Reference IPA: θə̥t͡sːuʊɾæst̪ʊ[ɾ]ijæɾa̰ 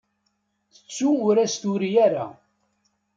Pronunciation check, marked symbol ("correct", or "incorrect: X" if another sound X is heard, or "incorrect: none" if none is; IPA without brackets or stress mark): correct